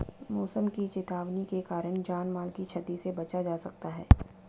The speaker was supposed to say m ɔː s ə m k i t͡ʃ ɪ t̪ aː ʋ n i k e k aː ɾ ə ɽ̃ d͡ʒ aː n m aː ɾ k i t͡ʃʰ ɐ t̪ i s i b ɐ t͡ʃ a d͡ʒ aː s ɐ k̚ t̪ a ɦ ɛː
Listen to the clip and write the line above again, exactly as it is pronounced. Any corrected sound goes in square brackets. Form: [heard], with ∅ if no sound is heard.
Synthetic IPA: m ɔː s ə m k i t͡ʃ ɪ t̪ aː ʋ n i k e k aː ɾ ə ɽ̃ d͡ʒ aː n m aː [l] k i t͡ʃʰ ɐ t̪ i s [e] b ɐ t͡ʃ a d͡ʒ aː s ɐ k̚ t̪ a ɦ ɛː